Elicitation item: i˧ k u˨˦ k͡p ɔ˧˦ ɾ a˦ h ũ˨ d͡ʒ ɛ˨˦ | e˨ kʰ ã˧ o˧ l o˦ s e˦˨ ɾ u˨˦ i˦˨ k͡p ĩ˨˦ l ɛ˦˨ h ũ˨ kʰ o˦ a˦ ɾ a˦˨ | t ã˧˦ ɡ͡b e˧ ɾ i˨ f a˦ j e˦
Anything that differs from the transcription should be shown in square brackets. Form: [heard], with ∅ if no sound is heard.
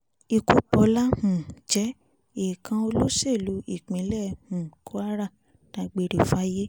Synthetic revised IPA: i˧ k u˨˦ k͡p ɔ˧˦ [l] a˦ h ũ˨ d͡ʒ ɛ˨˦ | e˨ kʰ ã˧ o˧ l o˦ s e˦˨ [l] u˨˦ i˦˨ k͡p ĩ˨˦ l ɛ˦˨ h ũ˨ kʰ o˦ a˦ ɾ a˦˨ | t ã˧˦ ɡ͡b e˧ ɾ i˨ f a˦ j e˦